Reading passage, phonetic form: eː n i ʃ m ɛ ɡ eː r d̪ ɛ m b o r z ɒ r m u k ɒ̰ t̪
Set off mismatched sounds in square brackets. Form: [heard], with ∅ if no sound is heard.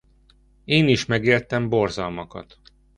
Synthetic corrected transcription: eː n i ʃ m ɛ ɡ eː r [t̪] ɛ m b o r z ɒ [l] m [ɒ] k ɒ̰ t̪